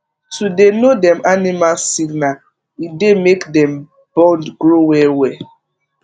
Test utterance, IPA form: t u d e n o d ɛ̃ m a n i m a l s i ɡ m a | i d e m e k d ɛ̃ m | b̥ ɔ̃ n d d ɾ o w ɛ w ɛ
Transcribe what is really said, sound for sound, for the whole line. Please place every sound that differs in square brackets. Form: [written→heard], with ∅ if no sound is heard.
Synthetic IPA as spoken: t u d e n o d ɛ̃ m a n i m a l s i ɡ [m→n] a | i d e m e k d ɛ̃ m | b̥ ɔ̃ n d [d→ɡ] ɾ o w ɛ w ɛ